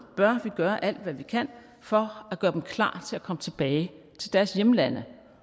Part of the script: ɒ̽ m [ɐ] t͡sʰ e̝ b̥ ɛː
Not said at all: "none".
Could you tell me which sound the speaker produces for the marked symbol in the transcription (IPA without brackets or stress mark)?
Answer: ə